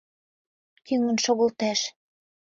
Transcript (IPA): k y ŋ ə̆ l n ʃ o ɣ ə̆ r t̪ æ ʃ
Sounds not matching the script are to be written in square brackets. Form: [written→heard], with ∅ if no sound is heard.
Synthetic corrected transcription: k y ŋ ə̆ [l→∅] n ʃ o ɣ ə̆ [r→l] t̪ æ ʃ